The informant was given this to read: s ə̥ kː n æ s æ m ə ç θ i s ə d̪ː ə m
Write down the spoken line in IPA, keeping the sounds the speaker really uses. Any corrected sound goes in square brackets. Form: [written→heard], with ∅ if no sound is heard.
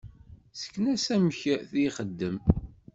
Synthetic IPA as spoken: s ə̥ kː n æ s æ m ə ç θ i [s→χ] ə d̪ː ə m

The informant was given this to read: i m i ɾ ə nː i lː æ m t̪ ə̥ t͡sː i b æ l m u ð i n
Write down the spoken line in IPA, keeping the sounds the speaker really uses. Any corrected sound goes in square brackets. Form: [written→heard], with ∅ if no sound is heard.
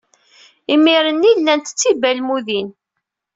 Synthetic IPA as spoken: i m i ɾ ə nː i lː æ [m→n] t̪ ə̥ t͡sː i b æ l m u ð i n

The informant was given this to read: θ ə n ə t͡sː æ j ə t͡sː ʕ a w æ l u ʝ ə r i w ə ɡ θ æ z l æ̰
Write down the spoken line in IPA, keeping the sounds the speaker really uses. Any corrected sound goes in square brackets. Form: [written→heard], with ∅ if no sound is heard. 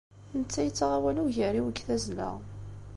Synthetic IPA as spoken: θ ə n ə t͡sː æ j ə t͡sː [ʕ→ʁ] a w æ l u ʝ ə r i w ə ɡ θ æ z l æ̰

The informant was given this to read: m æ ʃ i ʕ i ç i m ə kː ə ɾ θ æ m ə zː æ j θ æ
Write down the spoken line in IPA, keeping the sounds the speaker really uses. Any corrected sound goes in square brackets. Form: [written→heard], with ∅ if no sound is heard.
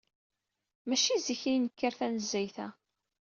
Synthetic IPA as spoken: m æ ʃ i [ʕ→z] i ç i [m→n] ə kː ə ɾ θ æ [m→n] ə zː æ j θ æ

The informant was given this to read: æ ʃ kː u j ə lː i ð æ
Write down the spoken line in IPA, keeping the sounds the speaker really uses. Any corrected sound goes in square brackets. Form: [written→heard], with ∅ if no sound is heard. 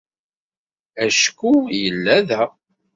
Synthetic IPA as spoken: æ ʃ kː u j ə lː [i→æ] ð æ

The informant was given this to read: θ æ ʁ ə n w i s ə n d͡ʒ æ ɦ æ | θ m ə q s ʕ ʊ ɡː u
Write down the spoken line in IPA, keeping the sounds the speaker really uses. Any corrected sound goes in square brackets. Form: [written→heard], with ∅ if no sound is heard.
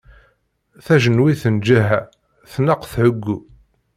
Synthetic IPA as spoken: θ æ [ʁ→ʒ] ə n w i [s→θ] ə n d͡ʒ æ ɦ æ | θ [m→n] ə q [s→θ] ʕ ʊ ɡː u

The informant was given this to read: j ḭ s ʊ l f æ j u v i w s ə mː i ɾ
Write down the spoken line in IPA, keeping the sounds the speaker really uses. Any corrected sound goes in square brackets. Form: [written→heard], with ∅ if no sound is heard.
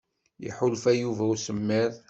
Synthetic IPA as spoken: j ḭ [s→ħ] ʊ l f æ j u v [i→æ] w s ə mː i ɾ

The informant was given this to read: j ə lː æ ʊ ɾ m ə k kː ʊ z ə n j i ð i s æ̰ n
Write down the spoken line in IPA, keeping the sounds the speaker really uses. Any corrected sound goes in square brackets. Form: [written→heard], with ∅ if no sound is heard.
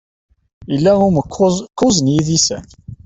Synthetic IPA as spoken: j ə lː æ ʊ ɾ m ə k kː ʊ z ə n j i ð i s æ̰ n

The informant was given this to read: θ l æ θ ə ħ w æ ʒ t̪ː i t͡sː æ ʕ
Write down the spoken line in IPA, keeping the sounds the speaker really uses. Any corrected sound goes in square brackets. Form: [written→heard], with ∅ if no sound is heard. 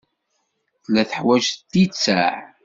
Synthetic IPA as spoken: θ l æ θ ə ħ w æ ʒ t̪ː i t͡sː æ ʕ

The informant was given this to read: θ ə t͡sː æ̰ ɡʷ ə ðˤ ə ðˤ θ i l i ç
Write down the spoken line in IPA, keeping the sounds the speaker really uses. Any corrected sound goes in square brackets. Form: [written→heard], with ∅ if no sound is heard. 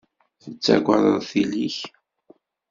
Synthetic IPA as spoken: θ ə t͡sː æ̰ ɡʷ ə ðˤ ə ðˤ θ i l i ç

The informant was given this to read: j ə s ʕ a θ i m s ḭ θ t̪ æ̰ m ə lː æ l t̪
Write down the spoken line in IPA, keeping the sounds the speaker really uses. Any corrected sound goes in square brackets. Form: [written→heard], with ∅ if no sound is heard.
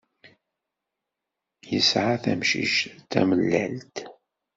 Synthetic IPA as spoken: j ə s ʕ a θ [i→æ] m [s→ʃ] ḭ [θ→ʃ] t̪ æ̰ m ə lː æ l t̪

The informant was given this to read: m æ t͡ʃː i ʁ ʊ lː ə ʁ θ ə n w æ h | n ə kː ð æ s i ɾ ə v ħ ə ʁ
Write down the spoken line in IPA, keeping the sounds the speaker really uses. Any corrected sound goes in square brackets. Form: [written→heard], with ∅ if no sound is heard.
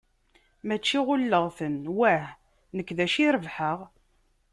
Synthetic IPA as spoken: m æ t͡ʃː i ʁ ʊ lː ə ʁ θ ə n w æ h | n ə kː ð æ [s→ʃ] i ɾ ə v ħ ə ʁ

